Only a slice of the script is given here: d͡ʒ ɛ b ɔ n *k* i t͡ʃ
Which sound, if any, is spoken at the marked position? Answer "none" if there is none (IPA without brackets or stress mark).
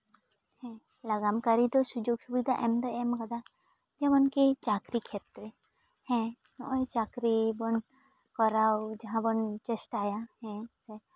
k